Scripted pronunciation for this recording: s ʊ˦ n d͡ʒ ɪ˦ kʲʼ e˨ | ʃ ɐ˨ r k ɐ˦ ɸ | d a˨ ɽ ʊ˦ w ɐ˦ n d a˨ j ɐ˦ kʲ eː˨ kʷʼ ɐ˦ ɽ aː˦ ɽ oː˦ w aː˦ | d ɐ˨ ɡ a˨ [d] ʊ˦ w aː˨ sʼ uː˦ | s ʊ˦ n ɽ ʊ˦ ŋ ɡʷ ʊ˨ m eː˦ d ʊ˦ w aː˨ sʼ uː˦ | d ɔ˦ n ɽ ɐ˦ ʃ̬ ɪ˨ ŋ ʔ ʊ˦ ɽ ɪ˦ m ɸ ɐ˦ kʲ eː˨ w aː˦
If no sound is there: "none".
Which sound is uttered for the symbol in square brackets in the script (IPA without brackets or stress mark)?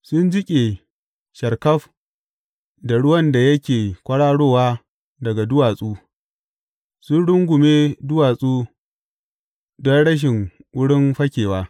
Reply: d